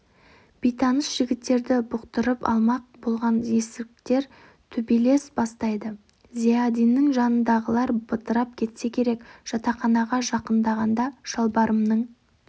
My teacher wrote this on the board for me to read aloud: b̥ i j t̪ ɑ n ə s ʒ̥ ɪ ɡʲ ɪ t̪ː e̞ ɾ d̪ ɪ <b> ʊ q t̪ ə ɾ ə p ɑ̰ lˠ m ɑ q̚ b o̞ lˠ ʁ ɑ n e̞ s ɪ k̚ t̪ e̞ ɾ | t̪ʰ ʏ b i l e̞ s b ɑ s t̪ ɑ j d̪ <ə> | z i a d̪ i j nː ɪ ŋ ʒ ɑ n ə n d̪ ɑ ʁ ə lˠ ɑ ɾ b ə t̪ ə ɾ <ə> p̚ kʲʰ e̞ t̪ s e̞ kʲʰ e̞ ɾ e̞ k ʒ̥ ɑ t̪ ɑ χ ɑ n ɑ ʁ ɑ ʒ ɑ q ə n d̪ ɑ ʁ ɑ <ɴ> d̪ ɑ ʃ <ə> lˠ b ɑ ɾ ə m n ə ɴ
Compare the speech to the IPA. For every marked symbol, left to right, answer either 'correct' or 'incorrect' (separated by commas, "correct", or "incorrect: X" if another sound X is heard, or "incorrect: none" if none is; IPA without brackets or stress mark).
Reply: correct, correct, incorrect: ɑ, incorrect: n, incorrect: ɑ